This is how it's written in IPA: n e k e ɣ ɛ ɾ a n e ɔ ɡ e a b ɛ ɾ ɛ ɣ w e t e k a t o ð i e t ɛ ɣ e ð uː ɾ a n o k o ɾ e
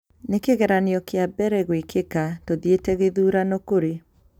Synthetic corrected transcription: n e k e ɣ ɛ ɾ a n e ɔ k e a b ɛ ɾ ɛ ɣ w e k e k a t o ð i e t ɛ ɣ e ð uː ɾ a n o k o ɾ e